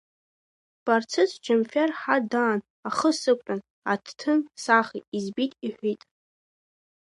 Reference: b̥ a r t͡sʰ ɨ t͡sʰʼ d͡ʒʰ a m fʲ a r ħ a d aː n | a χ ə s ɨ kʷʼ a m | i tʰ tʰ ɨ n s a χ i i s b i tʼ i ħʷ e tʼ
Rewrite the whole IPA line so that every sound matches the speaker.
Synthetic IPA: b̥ a r t͡sʰ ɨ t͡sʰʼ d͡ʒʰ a m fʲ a r ħ a d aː n | a χ ə s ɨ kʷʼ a n | a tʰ tʰ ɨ n s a χ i i z b i tʼ i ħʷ i tʼ